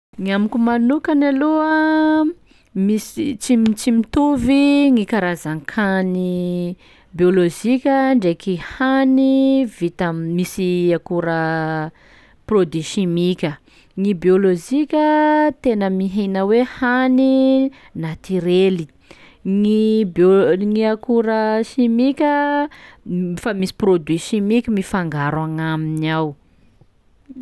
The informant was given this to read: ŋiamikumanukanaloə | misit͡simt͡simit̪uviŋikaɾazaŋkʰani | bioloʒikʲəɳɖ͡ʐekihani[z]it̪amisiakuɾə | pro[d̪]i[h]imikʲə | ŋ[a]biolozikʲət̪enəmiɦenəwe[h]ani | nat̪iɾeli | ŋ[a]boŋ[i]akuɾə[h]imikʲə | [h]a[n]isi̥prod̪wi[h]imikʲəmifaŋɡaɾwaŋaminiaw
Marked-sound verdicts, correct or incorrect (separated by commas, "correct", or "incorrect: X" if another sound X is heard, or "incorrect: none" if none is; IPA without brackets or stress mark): incorrect: v, correct, incorrect: ʃ, incorrect: i, correct, incorrect: i, correct, incorrect: ʃ, incorrect: f, incorrect: m, incorrect: ʃ